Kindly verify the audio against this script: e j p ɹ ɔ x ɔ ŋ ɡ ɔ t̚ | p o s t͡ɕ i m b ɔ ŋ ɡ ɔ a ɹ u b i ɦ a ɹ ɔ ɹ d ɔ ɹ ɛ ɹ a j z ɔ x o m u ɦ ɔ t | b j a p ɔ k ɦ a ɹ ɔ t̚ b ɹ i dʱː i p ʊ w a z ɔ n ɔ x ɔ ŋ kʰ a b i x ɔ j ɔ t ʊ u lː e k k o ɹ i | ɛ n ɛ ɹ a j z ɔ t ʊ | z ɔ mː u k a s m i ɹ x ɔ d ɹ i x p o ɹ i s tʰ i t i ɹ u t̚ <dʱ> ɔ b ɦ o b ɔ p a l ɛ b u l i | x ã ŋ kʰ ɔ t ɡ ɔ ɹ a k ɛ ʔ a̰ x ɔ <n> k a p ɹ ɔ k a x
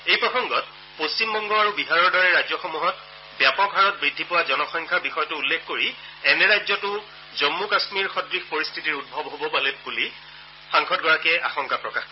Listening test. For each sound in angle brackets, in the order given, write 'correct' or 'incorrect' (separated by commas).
incorrect, incorrect